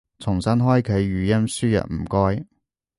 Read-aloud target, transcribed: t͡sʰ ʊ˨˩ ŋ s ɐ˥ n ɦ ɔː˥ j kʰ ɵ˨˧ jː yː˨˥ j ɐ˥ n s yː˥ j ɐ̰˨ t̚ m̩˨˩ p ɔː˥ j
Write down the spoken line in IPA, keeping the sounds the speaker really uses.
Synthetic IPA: t͡sʰ ʊ˨˩ ŋ s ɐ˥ n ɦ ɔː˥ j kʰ ɵ˨˧ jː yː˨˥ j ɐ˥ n s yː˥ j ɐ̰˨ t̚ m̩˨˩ k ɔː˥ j